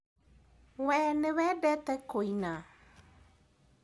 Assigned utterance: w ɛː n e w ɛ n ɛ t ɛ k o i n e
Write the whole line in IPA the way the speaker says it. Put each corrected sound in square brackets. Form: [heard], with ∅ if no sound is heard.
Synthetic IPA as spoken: w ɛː n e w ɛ [d] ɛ t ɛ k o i n [a]